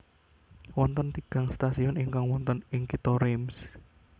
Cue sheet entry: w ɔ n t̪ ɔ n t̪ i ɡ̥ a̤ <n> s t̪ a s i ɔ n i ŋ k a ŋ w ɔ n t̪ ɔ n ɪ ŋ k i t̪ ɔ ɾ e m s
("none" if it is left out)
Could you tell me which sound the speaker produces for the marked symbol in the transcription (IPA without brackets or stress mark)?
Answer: ŋ